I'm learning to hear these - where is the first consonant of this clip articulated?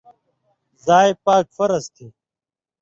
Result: tongue tip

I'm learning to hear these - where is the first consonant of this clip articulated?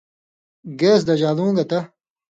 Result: velum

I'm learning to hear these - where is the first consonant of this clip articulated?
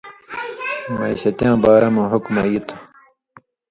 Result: lips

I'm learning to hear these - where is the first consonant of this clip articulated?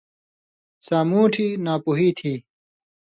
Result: tongue tip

